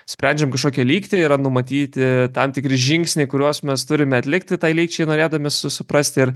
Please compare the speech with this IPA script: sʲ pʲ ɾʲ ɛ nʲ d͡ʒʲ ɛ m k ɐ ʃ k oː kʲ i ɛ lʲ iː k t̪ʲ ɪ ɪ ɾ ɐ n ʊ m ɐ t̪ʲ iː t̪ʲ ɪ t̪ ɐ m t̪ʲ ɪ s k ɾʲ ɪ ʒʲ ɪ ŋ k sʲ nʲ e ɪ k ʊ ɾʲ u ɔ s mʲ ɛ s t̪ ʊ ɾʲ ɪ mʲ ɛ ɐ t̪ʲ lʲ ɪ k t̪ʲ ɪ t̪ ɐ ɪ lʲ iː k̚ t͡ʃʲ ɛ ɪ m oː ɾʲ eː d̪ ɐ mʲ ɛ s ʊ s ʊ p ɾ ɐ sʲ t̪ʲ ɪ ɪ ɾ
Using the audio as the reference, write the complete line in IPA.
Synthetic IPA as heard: sʲ pʲ ɾʲ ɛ nʲ d͡ʒʲ ɛ m k ɐ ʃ k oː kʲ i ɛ lʲ iː k t̪ʲ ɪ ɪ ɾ ɐ n ʊ m ɐ t̪ʲ iː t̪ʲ ɪ t̪ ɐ m t̪ʲ ɪ k ɾʲ ɪ ʒʲ ɪ ŋ k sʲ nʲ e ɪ k ʊ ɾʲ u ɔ s mʲ ɛ s t̪ ʊ ɾʲ ɪ mʲ ɛ ɐ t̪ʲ lʲ ɪ k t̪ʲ ɪ t̪ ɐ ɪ lʲ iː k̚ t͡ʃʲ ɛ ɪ n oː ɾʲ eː d̪ ɐ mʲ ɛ s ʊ s ʊ p ɾ ɐ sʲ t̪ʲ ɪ ɪ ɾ